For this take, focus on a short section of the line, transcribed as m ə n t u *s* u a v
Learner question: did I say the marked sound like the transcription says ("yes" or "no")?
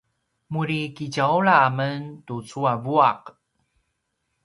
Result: no